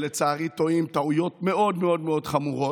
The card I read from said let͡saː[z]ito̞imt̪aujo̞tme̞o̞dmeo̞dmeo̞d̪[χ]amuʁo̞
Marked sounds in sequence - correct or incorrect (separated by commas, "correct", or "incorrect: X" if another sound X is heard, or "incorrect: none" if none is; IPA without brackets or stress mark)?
incorrect: ʁ, correct